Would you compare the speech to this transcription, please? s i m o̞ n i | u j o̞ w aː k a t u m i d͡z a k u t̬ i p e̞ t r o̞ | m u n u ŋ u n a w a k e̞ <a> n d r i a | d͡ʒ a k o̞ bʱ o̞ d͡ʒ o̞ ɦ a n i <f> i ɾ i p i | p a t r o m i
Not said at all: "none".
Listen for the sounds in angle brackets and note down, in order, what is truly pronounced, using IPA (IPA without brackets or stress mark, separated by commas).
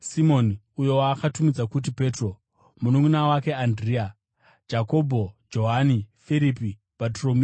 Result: a, f